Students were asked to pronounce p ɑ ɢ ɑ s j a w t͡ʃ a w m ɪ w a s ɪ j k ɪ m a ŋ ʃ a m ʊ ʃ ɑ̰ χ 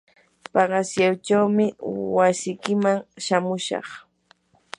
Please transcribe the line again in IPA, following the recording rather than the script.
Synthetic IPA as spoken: p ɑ ɢ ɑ s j a w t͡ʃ a w m ɪ w a s ɪ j k ɪ m a ŋ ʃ a m ʊ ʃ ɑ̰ χ

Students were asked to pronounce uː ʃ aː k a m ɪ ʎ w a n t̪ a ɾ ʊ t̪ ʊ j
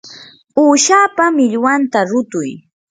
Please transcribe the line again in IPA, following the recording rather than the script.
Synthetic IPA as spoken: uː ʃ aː p a m ɪ ʎ w a n t̪ a ɾ ʊ t̪ ʊ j

